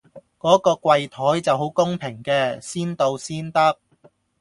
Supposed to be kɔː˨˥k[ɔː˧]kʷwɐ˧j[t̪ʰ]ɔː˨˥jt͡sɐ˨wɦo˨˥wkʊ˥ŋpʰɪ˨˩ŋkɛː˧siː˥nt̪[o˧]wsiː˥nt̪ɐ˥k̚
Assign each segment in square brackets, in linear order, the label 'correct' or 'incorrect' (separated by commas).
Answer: correct, correct, correct